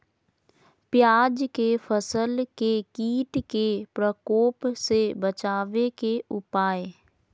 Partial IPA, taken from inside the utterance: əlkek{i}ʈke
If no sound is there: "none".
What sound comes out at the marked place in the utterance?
iː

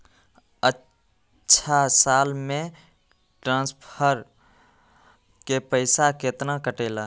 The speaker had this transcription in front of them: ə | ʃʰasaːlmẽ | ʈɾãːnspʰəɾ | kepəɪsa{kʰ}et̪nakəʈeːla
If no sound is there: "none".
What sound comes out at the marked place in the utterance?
k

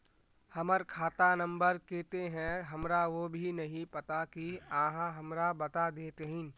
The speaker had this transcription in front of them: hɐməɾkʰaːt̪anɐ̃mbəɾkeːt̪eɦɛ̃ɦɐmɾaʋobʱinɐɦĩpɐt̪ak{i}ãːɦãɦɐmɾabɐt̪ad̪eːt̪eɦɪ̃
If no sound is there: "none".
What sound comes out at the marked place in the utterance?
i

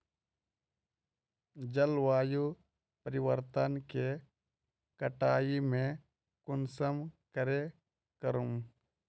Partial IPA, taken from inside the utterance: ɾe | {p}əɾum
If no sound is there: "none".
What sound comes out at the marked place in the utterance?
k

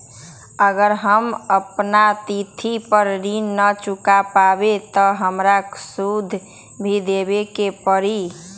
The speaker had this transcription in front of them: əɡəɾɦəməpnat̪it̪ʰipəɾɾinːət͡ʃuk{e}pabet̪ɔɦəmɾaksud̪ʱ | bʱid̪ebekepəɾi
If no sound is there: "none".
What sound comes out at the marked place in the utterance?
a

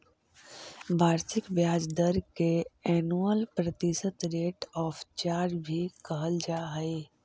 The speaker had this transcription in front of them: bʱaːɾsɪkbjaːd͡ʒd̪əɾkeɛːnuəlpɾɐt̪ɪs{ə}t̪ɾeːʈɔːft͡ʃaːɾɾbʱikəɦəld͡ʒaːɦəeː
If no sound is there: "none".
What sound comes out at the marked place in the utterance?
ə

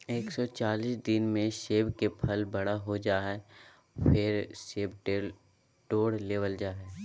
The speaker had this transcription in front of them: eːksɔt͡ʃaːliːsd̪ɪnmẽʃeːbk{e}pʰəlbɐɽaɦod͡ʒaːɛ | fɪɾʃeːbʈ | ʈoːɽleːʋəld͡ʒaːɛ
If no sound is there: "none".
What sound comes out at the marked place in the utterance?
e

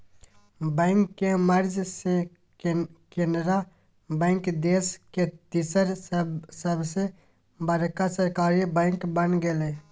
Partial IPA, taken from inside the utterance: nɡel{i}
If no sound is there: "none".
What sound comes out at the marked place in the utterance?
e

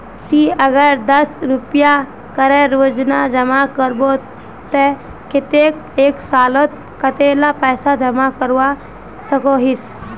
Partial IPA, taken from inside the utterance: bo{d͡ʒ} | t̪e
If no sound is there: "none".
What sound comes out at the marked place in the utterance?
none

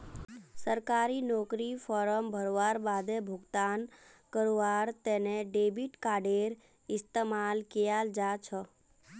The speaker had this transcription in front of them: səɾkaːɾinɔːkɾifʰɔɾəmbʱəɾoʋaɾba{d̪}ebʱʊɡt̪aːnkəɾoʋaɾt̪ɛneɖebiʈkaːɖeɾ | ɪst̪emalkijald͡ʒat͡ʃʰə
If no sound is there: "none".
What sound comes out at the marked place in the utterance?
d̪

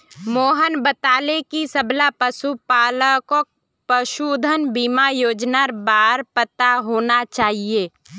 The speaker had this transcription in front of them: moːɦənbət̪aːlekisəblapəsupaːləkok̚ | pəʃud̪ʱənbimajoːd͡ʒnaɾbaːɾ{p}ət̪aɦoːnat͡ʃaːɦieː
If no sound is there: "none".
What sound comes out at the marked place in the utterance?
p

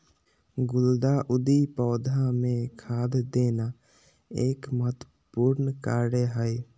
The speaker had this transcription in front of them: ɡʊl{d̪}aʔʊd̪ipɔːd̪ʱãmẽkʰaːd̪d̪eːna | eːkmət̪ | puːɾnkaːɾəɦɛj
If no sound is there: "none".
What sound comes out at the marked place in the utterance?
d̪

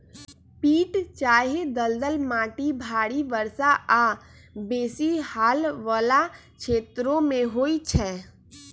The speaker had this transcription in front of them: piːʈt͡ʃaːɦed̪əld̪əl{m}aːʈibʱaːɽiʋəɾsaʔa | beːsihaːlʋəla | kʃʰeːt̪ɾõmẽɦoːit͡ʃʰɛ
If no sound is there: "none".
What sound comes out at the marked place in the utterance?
m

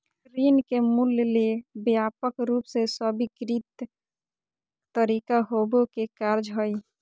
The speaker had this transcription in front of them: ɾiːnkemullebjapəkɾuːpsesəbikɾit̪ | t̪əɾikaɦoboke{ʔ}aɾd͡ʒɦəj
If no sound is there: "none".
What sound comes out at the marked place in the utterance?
k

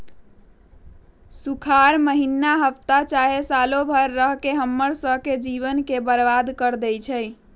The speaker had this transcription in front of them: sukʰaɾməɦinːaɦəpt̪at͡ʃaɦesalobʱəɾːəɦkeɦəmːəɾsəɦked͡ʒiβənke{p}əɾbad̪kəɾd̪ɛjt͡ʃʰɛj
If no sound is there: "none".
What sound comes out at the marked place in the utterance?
b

